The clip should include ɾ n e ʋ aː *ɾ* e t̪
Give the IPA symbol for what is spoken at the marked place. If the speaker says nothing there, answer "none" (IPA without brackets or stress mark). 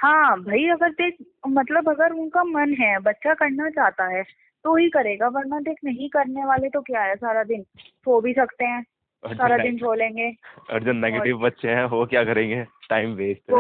l